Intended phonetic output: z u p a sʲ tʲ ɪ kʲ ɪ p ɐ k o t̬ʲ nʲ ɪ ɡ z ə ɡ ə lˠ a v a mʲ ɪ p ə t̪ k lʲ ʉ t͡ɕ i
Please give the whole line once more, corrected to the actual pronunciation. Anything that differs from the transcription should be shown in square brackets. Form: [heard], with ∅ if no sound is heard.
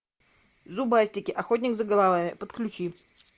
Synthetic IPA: z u [b] a sʲ tʲ ɪ kʲ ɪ [ʔ] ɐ [x] o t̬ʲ nʲ ɪ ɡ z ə ɡ ə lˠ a v a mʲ ɪ p ə t̪ k lʲ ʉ t͡ɕ i